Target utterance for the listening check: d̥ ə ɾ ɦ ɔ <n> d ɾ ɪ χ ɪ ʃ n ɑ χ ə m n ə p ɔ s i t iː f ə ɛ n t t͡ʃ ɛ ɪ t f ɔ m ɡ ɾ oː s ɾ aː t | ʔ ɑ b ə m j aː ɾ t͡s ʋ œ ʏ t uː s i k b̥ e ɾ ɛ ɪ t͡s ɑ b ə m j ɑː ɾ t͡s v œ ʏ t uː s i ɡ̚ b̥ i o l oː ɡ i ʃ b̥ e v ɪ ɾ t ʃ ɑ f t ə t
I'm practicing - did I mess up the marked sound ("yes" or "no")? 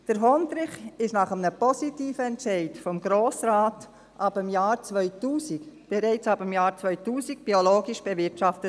no